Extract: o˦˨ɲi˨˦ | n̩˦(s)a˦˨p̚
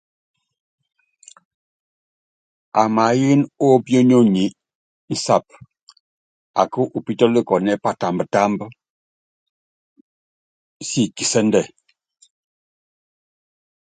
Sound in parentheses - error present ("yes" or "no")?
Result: no